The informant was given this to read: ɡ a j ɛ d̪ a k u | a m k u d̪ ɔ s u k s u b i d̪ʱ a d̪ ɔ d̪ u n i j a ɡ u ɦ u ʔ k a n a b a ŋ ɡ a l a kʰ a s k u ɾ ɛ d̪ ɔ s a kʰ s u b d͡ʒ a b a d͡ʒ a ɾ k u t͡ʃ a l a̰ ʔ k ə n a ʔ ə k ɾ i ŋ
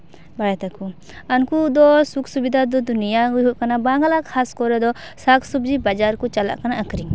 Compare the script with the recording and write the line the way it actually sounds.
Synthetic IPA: b a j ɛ t̪ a k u | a n k u d̪ ɔ s u k s u b i d̪ʱ a d̪ ɔ d̪ u n i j a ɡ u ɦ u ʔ k a n a b a ŋ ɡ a l a kʰ a s k ɔ ɾ ɛ d̪ ɔ s a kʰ s u b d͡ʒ i b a d͡ʒ a ɾ k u t͡ʃ a l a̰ ʔ k a n a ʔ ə k ɾ i ŋ